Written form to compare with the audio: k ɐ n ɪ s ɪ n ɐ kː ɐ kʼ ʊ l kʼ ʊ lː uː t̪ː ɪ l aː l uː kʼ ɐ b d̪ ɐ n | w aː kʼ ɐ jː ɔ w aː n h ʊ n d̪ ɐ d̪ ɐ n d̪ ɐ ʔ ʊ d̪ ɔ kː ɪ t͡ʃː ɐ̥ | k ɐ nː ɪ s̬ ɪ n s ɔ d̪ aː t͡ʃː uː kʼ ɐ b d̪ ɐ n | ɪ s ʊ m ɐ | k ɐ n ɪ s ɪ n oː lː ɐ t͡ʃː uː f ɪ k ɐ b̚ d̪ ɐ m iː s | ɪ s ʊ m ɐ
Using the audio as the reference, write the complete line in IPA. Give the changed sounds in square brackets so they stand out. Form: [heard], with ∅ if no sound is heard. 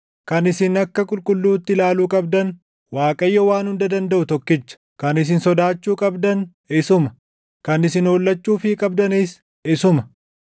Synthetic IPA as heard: k ɐ n ɪ s ɪ n ɐ kː ɐ kʼ ʊ l kʼ ʊ lː uː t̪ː ɪ l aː l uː kʼ ɐ b d̪ ɐ n | w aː kʼ ɐ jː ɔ w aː n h ʊ n d̪ ɐ d̪ ɐ n d̪ ɐ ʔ ʊ [t̪] ɔ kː ɪ t͡ʃː ɐ̥ | k ɐ [n] ɪ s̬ ɪ n s ɔ d̪ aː t͡ʃː uː kʼ ɐ b d̪ ɐ n | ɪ s ʊ m ɐ | k ɐ n ɪ s ɪ n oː lː ɐ t͡ʃː uː f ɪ [kʼ] ɐ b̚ d̪ ɐ [n] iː s | ɪ s ʊ m ɐ